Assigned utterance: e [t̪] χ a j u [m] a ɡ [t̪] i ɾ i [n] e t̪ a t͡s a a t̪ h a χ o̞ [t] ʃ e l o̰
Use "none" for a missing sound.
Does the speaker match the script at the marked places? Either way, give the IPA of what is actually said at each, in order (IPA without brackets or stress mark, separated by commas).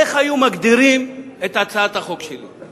none, m, d̪, m, k